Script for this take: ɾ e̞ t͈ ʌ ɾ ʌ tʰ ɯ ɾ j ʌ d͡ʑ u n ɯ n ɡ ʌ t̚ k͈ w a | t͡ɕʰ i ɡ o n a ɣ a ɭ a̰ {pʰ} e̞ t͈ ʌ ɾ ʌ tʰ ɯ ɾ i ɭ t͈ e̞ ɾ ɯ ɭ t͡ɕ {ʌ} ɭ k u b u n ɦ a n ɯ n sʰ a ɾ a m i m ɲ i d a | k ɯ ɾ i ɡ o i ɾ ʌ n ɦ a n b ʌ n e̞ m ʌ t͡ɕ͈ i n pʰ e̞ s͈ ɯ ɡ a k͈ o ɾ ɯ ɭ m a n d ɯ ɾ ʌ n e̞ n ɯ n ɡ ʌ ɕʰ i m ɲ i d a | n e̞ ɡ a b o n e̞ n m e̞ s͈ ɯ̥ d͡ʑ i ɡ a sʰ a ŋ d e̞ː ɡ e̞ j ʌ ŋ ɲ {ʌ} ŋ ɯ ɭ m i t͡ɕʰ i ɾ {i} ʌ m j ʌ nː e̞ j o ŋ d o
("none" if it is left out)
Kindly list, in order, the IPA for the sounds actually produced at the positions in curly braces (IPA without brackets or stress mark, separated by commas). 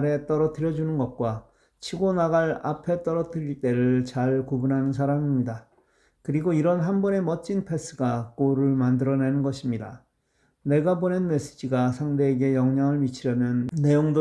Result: pʰ, a, a, j